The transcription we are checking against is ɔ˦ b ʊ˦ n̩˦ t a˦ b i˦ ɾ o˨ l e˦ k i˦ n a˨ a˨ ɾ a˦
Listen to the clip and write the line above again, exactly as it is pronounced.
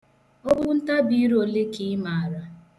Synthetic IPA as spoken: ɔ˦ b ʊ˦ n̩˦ t a˦ b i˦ ɾ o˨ l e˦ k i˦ m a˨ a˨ ɾ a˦